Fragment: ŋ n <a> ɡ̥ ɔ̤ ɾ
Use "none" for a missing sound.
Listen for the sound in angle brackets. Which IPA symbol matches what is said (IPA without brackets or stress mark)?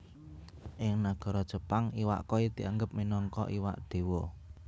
a